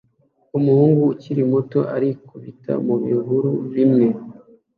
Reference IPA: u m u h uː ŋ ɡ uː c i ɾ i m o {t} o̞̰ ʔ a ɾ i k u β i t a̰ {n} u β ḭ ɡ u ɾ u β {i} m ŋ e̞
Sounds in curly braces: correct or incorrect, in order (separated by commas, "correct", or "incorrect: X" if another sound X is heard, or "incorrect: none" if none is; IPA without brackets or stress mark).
correct, incorrect: m, correct